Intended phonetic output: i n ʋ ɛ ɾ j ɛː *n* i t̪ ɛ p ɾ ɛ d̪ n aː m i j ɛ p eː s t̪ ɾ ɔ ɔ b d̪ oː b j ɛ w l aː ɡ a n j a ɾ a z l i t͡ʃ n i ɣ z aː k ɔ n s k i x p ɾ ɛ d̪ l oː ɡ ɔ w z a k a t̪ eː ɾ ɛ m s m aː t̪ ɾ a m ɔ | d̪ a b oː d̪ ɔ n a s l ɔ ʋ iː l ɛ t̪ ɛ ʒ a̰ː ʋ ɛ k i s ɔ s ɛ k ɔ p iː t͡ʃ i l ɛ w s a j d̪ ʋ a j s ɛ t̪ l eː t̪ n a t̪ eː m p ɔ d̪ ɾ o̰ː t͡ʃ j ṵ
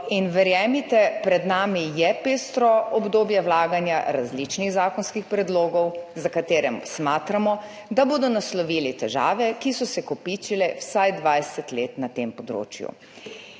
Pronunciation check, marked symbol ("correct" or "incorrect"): incorrect